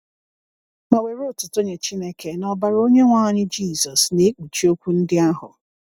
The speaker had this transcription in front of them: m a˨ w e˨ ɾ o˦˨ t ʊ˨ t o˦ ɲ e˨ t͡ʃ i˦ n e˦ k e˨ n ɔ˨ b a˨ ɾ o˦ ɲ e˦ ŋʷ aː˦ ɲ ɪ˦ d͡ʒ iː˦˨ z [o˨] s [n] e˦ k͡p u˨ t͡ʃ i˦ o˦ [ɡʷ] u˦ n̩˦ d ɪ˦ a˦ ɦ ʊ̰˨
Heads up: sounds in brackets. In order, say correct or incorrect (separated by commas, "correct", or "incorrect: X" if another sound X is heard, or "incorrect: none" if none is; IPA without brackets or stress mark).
incorrect: ɔ˨, correct, incorrect: kʷ